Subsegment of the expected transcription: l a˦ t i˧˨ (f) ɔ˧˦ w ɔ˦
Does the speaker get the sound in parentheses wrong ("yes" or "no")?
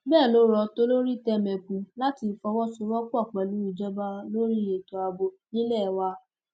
no